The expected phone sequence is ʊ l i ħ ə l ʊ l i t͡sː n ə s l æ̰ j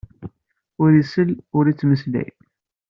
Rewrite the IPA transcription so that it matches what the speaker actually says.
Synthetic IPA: ʊ ɾ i s ə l ʊ ɾ i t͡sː m ə s l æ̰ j